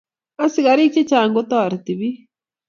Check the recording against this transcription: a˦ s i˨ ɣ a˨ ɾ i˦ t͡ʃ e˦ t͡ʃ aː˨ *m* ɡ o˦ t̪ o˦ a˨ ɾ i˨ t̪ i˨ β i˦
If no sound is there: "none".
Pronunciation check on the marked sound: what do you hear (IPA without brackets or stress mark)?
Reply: ŋ